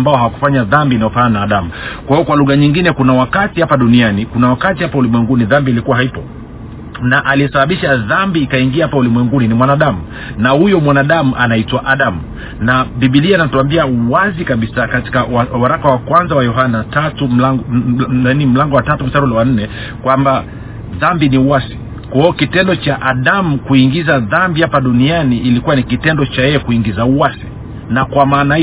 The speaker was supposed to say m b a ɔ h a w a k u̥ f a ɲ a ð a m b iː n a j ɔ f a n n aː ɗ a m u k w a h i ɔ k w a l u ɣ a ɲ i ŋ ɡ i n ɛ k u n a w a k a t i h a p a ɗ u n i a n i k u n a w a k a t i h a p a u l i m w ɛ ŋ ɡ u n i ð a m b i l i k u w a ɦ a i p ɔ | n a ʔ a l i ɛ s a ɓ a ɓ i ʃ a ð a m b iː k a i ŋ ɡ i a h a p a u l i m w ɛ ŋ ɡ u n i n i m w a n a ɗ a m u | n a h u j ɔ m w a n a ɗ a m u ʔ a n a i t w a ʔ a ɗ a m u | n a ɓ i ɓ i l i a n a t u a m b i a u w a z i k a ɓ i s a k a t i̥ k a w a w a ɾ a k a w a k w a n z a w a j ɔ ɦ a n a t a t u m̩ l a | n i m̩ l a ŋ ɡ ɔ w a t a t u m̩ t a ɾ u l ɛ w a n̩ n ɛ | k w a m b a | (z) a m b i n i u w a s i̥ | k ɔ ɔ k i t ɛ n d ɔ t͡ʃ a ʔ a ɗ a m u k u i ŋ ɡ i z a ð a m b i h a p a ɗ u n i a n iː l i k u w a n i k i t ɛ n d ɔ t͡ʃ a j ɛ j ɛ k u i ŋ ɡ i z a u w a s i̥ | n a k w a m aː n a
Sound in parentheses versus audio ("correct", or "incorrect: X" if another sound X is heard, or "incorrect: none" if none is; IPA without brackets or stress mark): incorrect: ð